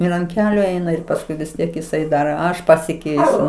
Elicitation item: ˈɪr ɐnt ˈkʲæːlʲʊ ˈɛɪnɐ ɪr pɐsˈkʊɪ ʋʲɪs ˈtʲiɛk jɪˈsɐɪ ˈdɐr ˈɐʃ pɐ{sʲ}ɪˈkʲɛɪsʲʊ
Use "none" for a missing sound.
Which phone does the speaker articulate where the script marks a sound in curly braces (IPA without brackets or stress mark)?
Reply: sʲ